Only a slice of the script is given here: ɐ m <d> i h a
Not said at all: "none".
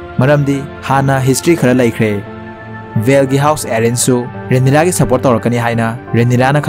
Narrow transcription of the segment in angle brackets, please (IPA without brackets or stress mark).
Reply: d